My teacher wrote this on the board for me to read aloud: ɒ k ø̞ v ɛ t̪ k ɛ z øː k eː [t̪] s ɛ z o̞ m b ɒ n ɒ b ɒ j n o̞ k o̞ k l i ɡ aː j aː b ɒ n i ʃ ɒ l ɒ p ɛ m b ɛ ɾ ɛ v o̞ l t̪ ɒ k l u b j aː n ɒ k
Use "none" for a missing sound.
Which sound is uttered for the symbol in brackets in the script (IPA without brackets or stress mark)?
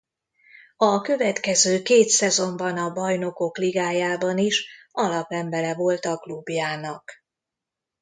t̪